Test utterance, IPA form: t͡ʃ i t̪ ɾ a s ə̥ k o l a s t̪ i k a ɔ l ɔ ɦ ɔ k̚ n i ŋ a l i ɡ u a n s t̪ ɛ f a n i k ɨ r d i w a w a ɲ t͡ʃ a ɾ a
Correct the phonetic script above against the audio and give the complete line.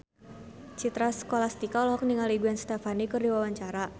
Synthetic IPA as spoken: t͡ʃ i t̪ ɾ a s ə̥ k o l a s t̪ i k a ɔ l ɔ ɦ ɔ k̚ n i ŋ a l i ɡ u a n s t̪ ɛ f a n i k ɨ r d i w a w a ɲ t͡ʃ a ɾ a